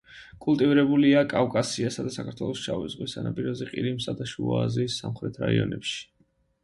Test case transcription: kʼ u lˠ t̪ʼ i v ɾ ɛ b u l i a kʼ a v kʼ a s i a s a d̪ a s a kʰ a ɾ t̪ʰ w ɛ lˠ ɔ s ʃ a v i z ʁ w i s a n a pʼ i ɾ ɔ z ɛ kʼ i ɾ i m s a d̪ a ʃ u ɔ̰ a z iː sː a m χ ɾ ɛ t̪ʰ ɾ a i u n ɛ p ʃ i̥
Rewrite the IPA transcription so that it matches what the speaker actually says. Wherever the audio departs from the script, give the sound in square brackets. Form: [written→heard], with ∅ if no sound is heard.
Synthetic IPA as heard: kʼ u lˠ t̪ʼ i v ɾ ɛ b u l i a kʼ a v kʼ a s i a s a d̪ a s a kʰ a ɾ t̪ʰ w ɛ lˠ ɔ s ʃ a v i z ʁ w i s a n a pʼ i ɾ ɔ z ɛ [kʼ→qʼ] i ɾ i m s a d̪ a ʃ u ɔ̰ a z iː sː a m χ ɾ ɛ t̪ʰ ɾ a i [u→ɔ] n ɛ p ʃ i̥